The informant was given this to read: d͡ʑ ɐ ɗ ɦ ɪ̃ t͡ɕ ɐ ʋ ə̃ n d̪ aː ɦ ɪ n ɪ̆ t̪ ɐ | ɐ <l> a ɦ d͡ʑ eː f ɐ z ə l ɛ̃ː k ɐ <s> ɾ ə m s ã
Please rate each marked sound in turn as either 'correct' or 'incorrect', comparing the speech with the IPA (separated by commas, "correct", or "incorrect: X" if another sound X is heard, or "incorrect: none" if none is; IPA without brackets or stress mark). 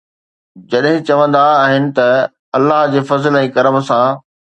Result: incorrect: lː, incorrect: none